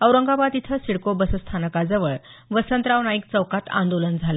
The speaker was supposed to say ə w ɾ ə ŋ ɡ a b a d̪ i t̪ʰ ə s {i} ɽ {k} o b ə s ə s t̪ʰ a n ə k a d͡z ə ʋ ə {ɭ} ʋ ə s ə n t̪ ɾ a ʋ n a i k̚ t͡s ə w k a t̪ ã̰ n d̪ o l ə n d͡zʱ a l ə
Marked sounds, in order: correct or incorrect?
correct, correct, correct

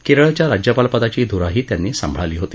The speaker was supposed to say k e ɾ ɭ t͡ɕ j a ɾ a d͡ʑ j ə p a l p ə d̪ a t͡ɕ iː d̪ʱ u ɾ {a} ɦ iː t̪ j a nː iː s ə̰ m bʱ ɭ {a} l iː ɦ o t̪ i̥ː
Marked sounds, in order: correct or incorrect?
correct, correct

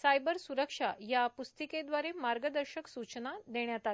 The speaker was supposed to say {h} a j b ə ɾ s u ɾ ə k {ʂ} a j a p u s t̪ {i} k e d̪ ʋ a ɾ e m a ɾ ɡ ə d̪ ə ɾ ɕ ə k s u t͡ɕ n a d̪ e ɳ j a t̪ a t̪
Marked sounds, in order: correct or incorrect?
incorrect: s, correct, correct

